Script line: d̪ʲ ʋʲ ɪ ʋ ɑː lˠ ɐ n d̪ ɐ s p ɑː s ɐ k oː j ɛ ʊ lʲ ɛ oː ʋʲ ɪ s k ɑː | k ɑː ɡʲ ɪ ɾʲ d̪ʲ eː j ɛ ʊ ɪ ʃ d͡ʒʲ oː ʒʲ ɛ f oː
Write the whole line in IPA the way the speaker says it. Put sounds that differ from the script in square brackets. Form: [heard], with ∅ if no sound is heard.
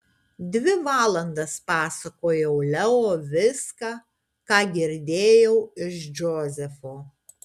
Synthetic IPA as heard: d̪ʲ ʋʲ ɪ ʋ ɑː lˠ ɐ n d̪ ɐ s p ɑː s ɐ k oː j ɛ ʊ lʲ ɛ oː ʋʲ ɪ s k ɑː | k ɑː ɡʲ ɪ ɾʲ d̪ʲ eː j ɛ ʊ ɪ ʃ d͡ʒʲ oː [zʲ] ɛ f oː